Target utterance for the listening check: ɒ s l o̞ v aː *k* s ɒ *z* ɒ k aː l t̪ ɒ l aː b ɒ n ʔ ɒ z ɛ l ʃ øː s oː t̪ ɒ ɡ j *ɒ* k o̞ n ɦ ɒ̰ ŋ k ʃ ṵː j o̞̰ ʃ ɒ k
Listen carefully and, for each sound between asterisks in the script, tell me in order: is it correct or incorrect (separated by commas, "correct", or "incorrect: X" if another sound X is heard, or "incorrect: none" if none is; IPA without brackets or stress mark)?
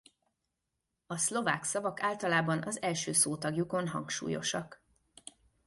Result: correct, incorrect: v, incorrect: u